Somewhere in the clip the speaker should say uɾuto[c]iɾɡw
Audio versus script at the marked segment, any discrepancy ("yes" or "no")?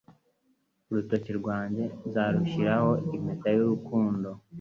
no